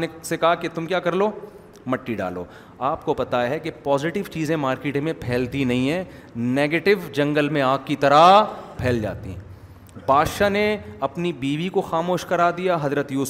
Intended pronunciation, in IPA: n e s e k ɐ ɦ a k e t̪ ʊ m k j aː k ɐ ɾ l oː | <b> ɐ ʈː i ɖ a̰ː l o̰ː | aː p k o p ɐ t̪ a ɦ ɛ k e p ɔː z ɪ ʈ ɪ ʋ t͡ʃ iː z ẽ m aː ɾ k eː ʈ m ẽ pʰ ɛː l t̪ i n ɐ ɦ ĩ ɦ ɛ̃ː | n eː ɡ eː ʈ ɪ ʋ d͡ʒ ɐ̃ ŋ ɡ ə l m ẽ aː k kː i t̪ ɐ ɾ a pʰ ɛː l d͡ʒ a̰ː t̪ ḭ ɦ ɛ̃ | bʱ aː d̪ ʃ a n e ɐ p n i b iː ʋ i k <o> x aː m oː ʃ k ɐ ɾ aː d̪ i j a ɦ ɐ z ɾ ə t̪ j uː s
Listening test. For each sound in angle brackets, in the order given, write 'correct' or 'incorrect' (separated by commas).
incorrect, correct